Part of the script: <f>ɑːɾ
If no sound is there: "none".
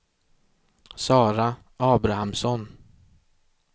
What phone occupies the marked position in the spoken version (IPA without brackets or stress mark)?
s